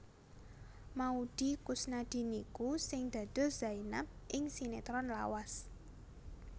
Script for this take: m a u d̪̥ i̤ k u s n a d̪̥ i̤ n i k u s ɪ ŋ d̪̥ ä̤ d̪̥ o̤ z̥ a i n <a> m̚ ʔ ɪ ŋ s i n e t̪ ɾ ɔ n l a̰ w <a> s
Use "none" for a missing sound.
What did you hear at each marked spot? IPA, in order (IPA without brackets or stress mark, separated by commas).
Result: a, a